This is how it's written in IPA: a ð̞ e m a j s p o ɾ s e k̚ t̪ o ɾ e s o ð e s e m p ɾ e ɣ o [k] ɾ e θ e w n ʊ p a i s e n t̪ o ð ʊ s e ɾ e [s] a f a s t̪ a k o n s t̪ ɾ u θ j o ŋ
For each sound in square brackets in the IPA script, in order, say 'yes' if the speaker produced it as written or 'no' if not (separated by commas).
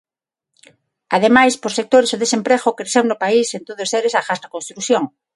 yes, yes